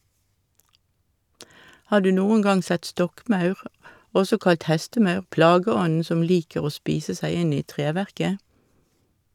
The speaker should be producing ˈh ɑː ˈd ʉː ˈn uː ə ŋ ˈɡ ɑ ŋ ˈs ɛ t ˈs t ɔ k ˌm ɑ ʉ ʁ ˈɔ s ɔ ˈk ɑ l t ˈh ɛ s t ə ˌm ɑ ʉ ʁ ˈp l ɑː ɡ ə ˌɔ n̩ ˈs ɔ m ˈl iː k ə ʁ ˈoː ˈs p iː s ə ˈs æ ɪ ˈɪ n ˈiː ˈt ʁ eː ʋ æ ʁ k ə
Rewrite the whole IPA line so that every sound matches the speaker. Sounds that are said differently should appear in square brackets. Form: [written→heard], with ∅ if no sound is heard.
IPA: ˈh ɑː ˈd ʉː ˈn uː ə ŋ ˈɡ ɑ ŋ ˈs ɛ t ˈs t ɔ k ˌm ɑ ʉ ʁ ˈɔ s ɔ ˈk ɑ l t ˈh ɛ s t ə ˌm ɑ ʉ ʁ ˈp l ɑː ɡ ə ˌɔ n̩ ˈs ɔ m ˈl iː k ə ʁ ˈoː ˈs p iː s ə ˈs æ ɪ ˈɪ n ˈiː ˈt ʁ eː ʋ æ ʁ k ə